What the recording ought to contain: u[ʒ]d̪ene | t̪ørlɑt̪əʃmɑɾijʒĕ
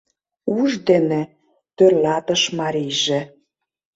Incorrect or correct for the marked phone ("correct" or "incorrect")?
correct